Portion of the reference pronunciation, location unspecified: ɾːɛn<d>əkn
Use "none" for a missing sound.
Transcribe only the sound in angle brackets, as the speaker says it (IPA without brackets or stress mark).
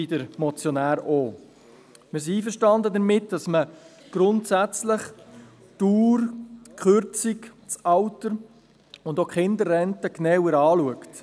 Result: t